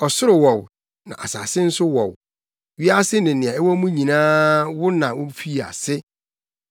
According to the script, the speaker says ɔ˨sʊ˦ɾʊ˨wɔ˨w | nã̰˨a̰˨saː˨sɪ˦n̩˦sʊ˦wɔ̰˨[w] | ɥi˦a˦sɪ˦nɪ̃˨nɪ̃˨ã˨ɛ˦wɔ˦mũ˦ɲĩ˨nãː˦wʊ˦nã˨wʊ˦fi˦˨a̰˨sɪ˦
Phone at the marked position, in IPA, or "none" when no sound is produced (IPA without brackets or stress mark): w